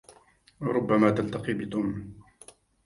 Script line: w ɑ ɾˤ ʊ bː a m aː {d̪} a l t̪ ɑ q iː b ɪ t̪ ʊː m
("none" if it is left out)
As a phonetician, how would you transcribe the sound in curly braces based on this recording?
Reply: t̪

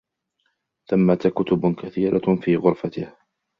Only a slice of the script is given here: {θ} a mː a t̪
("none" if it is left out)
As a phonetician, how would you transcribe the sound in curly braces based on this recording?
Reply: θ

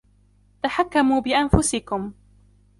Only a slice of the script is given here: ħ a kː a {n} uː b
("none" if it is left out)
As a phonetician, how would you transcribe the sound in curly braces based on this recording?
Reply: m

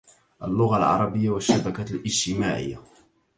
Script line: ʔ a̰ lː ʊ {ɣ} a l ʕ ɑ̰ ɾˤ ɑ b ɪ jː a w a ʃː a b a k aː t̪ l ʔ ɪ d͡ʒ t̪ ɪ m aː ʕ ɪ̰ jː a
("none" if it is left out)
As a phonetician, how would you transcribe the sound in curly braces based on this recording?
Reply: ɣ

